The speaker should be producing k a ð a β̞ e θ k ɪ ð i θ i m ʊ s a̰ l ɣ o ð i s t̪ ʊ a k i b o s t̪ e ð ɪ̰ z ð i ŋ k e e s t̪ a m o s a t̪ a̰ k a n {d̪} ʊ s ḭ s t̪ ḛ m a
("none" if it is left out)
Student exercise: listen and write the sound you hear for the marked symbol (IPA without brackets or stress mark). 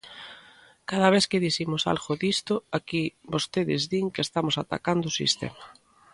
d̪